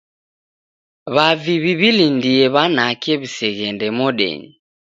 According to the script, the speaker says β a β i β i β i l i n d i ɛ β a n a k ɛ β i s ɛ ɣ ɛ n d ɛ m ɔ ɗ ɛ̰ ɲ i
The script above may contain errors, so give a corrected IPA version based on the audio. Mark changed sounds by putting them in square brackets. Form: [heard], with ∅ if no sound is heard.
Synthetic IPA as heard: β a [v] i β i β i l i n d i ɛ β a n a k ɛ β i s ɛ ɣ ɛ n d ɛ m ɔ ɗ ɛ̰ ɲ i